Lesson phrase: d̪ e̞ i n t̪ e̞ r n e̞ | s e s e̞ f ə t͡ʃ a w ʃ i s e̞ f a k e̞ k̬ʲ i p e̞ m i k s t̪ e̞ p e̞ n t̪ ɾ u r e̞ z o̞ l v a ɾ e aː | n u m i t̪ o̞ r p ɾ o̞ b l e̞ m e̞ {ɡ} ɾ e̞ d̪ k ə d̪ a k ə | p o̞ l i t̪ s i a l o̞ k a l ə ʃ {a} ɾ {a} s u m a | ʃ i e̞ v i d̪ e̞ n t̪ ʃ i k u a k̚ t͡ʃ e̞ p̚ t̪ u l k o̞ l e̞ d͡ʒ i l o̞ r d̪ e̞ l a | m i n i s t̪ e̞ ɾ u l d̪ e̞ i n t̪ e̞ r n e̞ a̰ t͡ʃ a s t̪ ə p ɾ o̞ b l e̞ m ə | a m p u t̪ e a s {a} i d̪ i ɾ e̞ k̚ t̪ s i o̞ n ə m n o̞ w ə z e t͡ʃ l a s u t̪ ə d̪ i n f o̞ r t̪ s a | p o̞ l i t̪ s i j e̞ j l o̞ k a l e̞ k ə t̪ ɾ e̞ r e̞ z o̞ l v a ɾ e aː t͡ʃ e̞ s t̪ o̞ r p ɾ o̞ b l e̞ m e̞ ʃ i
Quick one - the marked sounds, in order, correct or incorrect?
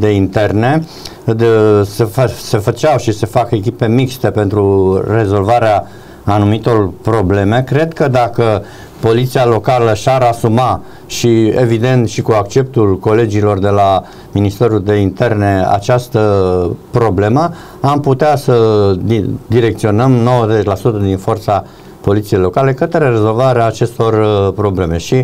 incorrect: k, correct, correct, incorrect: ə

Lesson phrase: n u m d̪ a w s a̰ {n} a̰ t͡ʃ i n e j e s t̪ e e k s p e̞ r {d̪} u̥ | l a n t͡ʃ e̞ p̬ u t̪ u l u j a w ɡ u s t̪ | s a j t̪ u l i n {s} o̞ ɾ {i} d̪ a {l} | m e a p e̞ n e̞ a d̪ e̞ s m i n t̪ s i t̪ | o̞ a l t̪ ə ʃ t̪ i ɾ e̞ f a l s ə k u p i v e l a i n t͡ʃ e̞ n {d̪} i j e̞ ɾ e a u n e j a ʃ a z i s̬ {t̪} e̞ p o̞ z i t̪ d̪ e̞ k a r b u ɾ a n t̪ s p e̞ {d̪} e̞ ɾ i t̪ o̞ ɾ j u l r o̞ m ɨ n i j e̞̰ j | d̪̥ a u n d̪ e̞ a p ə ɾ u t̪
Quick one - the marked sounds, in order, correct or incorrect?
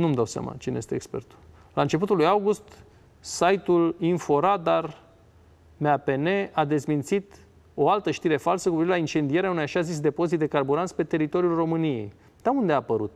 incorrect: m, incorrect: t̪, incorrect: f, incorrect: a, incorrect: r, correct, incorrect: d̪, incorrect: t̪

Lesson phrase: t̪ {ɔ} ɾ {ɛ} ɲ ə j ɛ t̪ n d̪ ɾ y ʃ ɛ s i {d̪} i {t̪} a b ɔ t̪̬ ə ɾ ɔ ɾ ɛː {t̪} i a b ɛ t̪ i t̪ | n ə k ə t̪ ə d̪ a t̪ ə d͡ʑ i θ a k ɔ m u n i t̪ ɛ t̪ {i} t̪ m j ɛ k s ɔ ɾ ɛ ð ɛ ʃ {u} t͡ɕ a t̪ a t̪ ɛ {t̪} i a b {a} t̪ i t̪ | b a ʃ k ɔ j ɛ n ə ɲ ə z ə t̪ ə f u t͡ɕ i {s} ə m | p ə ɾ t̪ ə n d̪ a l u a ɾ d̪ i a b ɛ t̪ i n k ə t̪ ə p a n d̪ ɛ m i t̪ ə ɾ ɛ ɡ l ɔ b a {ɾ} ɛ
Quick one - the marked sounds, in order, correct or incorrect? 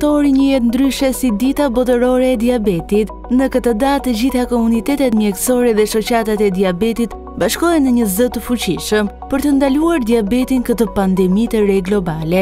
correct, incorrect: i, correct, correct, incorrect: d̪, incorrect: ɛ, incorrect: ɔ, incorrect: d̪, incorrect: ɛ, incorrect: ʃ, incorrect: l

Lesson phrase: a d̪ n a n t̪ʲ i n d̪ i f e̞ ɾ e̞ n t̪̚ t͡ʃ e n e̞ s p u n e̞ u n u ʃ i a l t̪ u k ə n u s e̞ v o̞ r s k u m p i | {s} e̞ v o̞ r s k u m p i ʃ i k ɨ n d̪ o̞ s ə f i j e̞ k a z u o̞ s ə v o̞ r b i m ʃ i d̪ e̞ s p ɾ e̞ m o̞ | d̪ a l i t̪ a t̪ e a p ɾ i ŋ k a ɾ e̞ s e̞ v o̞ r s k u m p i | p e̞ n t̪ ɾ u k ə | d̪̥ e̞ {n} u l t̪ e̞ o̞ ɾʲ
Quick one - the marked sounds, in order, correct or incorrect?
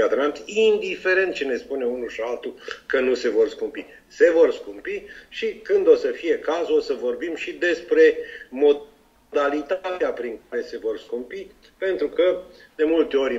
correct, incorrect: m

